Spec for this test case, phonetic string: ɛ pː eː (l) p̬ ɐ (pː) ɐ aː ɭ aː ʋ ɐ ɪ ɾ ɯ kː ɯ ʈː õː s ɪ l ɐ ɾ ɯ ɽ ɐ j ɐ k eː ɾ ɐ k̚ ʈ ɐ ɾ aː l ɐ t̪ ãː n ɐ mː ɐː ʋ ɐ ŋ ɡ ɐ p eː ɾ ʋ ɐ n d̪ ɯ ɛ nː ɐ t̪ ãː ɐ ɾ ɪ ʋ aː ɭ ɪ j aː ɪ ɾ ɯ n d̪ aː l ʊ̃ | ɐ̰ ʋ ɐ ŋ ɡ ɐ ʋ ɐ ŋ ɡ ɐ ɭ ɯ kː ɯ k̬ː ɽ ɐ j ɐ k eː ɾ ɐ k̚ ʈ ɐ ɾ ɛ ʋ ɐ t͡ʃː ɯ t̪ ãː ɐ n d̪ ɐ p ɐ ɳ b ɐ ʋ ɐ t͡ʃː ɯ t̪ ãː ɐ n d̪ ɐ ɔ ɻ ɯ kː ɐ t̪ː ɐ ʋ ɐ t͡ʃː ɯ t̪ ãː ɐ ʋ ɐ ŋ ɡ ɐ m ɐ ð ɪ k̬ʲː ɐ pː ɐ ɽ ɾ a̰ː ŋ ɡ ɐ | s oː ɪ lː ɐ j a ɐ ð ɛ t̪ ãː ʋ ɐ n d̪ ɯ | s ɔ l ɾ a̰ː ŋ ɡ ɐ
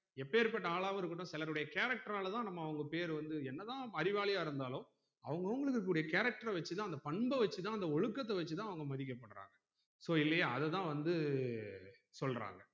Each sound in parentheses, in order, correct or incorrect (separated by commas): incorrect, incorrect